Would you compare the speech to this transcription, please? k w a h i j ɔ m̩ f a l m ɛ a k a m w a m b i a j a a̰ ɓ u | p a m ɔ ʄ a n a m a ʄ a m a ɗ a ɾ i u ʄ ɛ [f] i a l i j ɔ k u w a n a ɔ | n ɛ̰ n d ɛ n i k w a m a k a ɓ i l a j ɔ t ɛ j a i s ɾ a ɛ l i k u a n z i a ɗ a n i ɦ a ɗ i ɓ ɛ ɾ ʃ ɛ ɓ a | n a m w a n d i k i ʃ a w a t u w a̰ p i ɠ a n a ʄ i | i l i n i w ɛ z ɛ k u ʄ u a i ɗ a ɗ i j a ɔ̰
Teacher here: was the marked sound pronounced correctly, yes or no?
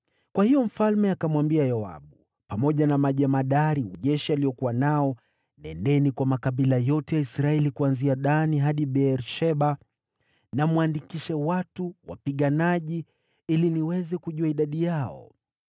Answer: no